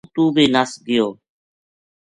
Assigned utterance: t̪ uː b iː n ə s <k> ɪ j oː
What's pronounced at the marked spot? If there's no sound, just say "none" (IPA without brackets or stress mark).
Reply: ɡ